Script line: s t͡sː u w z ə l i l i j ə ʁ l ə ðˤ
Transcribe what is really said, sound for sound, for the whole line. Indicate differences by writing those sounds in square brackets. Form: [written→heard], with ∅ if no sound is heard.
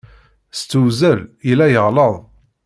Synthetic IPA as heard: s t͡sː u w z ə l i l [i→æ] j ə ʁ l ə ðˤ